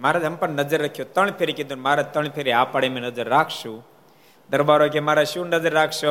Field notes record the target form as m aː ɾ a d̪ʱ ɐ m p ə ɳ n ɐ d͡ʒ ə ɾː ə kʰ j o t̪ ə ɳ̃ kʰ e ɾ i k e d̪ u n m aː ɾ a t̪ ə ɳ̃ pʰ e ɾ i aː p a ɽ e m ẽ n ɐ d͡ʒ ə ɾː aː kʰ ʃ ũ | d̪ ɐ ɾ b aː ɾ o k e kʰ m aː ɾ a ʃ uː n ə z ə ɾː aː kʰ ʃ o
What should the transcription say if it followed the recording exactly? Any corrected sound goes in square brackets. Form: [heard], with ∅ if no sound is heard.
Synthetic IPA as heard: m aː ɾ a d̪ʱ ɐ m p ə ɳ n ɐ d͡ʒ ə ɾː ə kʰ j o t̪ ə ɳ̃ [pʰ] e ɾ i k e d̪ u n m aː ɾ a t̪ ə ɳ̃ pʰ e ɾ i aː p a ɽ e m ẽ n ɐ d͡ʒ ə ɾː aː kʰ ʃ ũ | d̪ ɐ ɾ b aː ɾ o k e [∅] m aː ɾ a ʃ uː n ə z ə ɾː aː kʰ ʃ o